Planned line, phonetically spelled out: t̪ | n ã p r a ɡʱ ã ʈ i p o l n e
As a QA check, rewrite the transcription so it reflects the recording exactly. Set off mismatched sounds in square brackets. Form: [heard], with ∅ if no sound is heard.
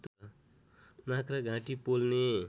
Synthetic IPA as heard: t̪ | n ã [k] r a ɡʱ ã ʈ i p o l n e

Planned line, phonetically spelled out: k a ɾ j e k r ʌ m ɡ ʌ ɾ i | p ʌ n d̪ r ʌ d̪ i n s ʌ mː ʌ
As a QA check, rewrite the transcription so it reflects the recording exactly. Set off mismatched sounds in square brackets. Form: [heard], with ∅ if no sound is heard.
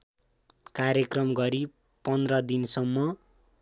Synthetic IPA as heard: k a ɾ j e k r ʌ m ɡ ʌ ɾ i | p ʌ n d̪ r ʌ d̪ i n s ʌ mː ʌ

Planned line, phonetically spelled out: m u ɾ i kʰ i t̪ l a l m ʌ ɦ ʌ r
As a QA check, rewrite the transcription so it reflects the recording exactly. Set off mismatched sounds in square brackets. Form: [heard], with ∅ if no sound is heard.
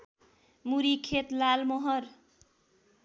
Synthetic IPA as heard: m u ɾ i kʰ [e] t̪ l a l m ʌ ɦ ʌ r

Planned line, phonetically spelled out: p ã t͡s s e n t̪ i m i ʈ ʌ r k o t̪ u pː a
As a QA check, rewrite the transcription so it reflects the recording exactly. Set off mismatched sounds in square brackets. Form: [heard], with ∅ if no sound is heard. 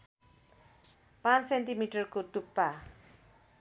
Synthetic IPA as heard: p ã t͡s s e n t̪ i m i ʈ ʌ r k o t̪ u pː a

